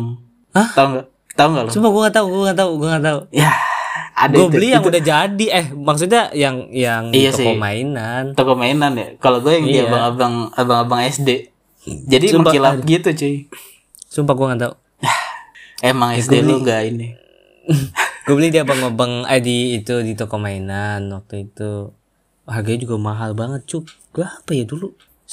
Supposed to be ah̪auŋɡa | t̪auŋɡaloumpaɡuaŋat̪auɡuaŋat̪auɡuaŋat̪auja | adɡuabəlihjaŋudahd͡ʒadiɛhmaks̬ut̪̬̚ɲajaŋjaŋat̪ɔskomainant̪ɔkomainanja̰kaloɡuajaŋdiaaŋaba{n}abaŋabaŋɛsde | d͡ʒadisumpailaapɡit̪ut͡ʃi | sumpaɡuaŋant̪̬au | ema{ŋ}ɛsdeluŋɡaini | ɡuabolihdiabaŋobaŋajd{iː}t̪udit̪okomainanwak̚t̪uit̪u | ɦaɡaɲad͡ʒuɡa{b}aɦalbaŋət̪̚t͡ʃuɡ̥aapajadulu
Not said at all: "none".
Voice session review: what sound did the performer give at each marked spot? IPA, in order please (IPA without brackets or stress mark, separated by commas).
ŋ, ŋ, iː, m